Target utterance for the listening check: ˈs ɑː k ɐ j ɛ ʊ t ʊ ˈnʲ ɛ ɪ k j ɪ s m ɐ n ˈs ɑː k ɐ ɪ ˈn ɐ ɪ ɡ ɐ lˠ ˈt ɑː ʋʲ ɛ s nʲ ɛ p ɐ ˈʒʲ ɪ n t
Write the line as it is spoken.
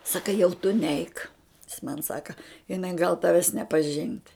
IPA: ˈs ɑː k ɐ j ɛ ʊ t ʊ ˈnʲ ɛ ɪ k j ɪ s m ɐ n ˈs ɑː k ɐ ɪ ˈn ɐ ɪ ɡ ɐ lˠ ˈt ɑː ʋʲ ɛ s nʲ ɛ p ɐ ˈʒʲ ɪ n t